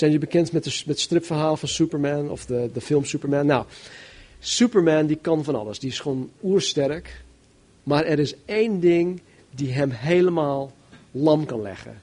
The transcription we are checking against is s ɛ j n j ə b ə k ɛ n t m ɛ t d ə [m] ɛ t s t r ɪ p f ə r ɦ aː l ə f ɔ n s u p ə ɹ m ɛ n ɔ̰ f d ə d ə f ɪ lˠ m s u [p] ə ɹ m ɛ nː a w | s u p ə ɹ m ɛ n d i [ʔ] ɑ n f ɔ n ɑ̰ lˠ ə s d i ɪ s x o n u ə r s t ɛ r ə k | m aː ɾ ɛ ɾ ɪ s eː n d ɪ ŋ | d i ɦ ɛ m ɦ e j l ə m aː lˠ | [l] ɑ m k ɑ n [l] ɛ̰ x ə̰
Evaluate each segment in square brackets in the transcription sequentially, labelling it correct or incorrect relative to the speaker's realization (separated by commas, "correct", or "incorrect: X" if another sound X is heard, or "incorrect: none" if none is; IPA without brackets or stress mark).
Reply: correct, correct, incorrect: k, correct, correct